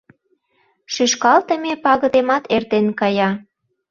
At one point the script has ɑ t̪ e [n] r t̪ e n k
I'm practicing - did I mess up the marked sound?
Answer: yes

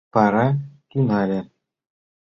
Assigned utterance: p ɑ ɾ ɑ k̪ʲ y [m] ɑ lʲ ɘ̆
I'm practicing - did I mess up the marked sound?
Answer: yes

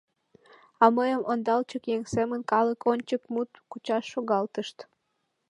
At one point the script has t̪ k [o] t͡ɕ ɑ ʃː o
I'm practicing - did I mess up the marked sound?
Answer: yes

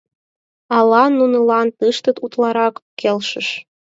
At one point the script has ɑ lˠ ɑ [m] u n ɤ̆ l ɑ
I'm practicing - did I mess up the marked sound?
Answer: yes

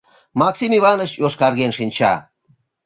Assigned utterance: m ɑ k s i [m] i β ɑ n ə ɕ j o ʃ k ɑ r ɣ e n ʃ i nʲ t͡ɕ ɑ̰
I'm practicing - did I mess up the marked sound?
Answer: no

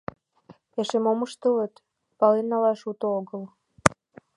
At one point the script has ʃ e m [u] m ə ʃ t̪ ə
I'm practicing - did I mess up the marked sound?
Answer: yes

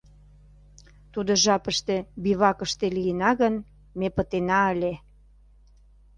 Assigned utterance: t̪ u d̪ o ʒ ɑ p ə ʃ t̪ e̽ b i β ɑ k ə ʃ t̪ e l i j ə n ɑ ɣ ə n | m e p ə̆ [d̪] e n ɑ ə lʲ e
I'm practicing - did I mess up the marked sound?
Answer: yes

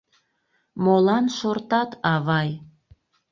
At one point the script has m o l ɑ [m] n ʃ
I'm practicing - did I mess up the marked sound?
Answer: yes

